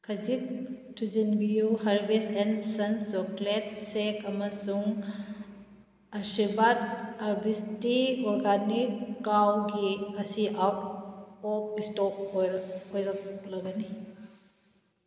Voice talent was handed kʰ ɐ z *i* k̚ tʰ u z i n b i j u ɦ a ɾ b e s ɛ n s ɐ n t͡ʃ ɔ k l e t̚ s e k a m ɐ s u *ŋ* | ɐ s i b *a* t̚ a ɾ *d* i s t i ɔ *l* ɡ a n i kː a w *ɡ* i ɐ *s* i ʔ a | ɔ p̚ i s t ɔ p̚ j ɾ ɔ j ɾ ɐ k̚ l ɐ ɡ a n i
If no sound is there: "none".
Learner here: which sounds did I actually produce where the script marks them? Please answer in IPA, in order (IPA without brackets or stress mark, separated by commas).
i, ŋ, a, b, ɾ, ɡ, s